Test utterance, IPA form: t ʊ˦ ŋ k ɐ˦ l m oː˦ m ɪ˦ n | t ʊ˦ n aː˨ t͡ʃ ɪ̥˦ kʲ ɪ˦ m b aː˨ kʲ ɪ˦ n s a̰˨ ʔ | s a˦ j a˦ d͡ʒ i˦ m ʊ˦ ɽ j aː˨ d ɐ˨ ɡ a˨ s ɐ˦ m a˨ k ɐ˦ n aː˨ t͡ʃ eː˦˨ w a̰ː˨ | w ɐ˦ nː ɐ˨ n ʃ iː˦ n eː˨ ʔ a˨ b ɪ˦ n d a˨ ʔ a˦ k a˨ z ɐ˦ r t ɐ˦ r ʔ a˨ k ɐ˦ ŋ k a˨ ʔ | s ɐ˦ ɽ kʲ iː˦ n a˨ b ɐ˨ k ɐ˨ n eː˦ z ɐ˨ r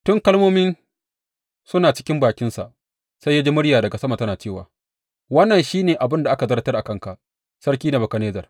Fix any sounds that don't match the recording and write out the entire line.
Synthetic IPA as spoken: t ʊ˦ ŋ k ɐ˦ l m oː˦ m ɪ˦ n | s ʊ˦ n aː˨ t͡ʃ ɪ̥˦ kʲ ɪ˦ m b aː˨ kʲ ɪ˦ n s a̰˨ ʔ | s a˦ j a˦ d͡ʒ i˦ m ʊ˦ ɽ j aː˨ d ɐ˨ ɡ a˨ s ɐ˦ m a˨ t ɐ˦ n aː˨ t͡ʃ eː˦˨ w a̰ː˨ | w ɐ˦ nː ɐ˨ n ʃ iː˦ n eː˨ ʔ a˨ b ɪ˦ n d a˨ ʔ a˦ k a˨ z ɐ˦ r t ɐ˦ r ʔ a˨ k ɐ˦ ŋ k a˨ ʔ | s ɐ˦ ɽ kʲ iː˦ n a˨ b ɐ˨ k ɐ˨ n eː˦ z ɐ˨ r